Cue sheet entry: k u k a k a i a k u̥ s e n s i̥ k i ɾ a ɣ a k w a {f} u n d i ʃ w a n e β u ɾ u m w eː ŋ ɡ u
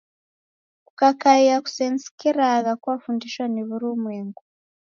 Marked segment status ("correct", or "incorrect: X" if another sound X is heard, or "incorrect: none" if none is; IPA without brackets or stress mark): correct